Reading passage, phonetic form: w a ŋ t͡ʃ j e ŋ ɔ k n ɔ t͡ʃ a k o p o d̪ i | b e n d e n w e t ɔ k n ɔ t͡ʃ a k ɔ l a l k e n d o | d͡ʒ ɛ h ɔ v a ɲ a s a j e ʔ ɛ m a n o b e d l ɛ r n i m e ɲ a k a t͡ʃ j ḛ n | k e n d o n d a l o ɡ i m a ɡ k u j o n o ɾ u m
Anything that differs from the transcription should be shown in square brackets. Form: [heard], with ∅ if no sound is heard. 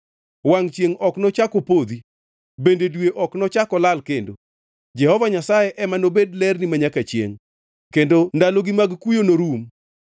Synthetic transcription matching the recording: w a ŋ t͡ʃ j e ŋ ɔ k n ɔ t͡ʃ a k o p o d̪ i | b e n d e [d] w e [ʔ] ɔ k n ɔ t͡ʃ a k ɔ l a l k e n d o | d͡ʒ ɛ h ɔ v a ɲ a s a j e ʔ ɛ m a n o b e d l ɛ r n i m [a] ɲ a k a t͡ʃ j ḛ [ŋ] | k e n d o n d a l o ɡ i m a ɡ k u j o n o ɾ u m